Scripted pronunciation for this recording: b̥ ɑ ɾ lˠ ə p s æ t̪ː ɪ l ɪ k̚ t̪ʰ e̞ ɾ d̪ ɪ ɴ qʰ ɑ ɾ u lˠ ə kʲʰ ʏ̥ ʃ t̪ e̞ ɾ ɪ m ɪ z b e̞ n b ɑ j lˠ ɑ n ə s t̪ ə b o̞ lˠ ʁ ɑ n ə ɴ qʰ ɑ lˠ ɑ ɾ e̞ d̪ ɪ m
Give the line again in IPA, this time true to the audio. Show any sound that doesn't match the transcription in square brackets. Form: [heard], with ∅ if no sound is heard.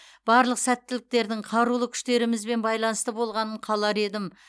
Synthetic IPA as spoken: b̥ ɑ ɾ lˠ ə [q] s æ t̪ː ɪ l ɪ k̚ [t̪] e̞ ɾ d̪ ɪ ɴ qʰ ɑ ɾ u lˠ ə kʲʰ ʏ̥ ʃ t̪ e̞ ɾ ɪ m ɪ z b e̞ n b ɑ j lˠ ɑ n ə s t̪ ə b o̞ lˠ ʁ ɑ n ə ɴ qʰ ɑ lˠ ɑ ɾ e̞ d̪ ɪ m

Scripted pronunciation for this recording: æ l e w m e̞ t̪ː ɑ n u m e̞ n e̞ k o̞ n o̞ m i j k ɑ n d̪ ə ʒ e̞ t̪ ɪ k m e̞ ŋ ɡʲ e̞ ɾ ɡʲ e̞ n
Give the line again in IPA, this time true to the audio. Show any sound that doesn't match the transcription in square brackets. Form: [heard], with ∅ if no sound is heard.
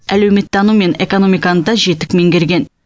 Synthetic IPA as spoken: æ l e w m e̞ t̪ː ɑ n u m e̞ n e̞ k o̞ n o̞ m i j k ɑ n d̪ [ɑ] ʒ e̞ t̪ ɪ k m e̞ ŋ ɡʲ e̞ ɾ ɡʲ e̞ n

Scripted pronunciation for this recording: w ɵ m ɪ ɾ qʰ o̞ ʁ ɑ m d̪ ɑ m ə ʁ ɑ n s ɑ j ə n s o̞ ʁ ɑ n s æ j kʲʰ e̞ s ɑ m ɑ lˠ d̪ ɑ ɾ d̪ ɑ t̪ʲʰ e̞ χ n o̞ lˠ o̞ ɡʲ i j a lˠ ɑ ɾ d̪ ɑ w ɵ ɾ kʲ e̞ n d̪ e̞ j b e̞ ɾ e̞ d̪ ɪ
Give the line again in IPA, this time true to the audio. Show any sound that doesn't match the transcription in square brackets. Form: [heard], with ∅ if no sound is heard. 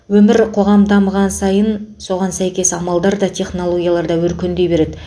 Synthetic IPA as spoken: w ɵ m ɪ ɾ qʰ o̞ ʁ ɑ m d̪ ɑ m ə ʁ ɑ n s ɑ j ə n s o̞ ʁ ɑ n s æ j [kʲ] e̞ s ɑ m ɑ lˠ d̪ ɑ ɾ d̪ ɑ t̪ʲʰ e̞ χ n o̞ lˠ o̞ ɡʲ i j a lˠ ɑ ɾ d̪ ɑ w ɵ ɾ kʲ e̞ n d̪ e̞ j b e̞ ɾ e̞ d̪ ɪ

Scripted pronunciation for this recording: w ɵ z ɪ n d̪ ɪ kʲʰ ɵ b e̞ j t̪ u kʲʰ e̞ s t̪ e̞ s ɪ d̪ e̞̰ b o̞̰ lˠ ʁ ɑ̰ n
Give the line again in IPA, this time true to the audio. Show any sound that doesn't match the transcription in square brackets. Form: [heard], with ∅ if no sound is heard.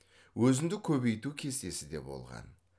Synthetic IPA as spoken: w ɵ z ɪ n d̪ ɪ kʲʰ ɵ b e̞ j t̪ u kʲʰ e̞ s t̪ e̞ s ɪ d̪ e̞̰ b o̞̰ lˠ ʁ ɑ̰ n

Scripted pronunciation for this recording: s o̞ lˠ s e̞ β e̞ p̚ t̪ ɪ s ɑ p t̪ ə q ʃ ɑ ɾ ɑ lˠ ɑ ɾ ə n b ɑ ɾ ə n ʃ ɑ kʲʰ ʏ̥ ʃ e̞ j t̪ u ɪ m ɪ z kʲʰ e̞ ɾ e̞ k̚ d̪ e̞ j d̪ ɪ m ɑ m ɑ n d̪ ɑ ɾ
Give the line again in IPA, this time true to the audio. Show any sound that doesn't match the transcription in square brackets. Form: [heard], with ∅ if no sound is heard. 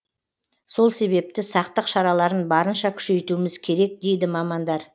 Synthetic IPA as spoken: s o̞ lˠ s e̞ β e̞ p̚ t̪ ɪ s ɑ [q] t̪ ə q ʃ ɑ ɾ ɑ lˠ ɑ ɾ ə n b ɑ ɾ ə n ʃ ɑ kʲʰ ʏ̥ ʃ e̞ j t̪ u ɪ m ɪ z kʲʰ e̞ ɾ e̞ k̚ d̪ e̞ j d̪ ɪ m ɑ m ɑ n d̪ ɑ ɾ

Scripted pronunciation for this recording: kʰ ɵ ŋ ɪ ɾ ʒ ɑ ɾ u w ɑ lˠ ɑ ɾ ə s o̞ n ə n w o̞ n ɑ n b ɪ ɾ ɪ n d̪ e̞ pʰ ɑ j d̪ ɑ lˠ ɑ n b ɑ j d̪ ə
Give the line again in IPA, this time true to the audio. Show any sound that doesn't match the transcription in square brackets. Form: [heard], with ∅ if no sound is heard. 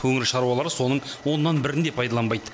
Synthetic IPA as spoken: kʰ ɵ ŋ ɪ ɾ [ʃ] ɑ ɾ u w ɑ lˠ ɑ ɾ ə s o̞ n ə [ɴ] w o̞ [nː] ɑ n b ɪ ɾ ɪ n d̪ e̞ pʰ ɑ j d̪ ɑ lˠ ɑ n b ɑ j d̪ ə

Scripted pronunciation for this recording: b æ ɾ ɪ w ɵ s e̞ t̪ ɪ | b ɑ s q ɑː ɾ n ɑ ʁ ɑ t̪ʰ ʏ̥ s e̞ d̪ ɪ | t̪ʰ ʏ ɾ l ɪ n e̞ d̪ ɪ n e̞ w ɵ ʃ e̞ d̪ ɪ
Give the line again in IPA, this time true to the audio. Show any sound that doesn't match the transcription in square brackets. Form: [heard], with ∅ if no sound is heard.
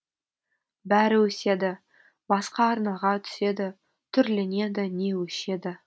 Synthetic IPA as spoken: b æ ɾ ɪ w ɵ s e̞ [d̪] ɪ | b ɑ s q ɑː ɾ n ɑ ʁ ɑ t̪ʰ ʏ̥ s e̞ d̪ ɪ | t̪ʰ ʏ ɾ l ɪ n e̞ d̪ ɪ n e̞ w ɵ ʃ e̞ d̪ ɪ

